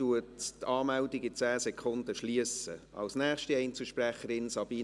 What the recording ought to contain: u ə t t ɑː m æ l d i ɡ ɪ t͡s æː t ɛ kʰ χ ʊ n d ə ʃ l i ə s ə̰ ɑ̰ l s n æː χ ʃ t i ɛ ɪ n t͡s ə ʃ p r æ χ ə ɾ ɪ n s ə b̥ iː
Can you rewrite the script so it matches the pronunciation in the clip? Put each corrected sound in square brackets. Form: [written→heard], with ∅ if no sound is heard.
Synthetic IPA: u ə t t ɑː m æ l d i ɡ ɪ t͡s æː [t→s] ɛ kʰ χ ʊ n d ə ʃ l i ə s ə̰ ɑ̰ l s n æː χ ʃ t i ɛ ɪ n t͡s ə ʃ p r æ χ ə ɾ ɪ n s [ə→ɑ] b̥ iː